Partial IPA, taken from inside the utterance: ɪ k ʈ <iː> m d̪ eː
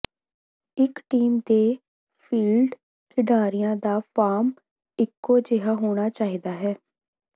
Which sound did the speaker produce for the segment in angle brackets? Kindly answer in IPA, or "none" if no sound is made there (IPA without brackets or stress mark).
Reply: iː